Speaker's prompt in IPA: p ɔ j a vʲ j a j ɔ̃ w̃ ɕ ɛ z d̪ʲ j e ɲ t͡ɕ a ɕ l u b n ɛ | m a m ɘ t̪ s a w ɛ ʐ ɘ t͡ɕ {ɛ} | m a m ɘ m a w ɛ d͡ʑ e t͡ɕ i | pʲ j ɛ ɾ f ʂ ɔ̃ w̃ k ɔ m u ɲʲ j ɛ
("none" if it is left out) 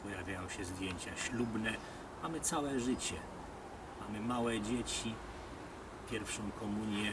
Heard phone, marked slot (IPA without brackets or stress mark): ɛ